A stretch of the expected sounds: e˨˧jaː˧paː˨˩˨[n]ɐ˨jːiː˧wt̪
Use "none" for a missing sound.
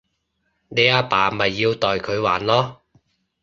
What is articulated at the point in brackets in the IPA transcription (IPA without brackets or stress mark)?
m